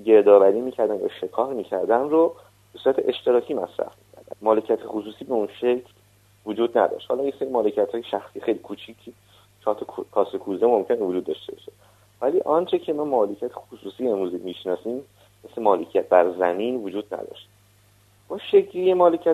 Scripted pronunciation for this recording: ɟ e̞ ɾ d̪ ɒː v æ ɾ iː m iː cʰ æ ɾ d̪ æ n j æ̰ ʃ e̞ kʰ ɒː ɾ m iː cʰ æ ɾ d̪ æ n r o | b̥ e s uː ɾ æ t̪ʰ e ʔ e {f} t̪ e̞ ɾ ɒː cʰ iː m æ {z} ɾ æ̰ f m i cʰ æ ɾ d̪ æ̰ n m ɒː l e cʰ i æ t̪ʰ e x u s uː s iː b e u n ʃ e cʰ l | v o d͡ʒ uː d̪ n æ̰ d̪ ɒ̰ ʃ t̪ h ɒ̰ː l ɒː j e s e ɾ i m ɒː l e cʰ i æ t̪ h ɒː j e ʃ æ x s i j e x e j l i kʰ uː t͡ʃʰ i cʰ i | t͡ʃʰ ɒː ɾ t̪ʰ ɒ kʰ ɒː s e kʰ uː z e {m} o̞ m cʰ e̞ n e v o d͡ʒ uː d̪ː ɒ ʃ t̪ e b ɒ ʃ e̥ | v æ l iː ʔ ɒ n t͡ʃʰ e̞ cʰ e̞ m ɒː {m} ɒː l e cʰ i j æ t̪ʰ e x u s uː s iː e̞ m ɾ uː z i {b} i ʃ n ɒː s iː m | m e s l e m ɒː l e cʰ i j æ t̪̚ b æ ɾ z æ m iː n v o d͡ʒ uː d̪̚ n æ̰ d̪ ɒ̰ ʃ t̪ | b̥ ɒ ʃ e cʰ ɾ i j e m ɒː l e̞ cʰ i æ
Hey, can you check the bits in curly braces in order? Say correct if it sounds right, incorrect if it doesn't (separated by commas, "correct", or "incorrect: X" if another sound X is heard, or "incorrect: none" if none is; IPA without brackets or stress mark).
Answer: incorrect: ʃ, incorrect: s, correct, correct, incorrect: m